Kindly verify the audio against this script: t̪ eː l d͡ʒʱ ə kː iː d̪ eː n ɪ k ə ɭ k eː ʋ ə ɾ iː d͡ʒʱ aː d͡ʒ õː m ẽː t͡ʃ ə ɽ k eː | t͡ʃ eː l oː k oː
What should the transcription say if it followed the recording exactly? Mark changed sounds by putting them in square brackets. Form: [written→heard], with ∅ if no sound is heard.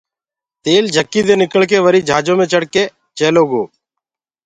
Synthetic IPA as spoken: t̪ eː l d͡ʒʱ ə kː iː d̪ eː n ɪ k ə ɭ k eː ʋ ə ɾ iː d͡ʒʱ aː d͡ʒ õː m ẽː t͡ʃ ə ɽ k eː | t͡ʃ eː l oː [k→ɡ] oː